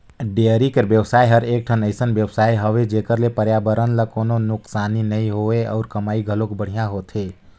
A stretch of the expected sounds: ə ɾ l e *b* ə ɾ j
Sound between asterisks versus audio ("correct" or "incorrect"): incorrect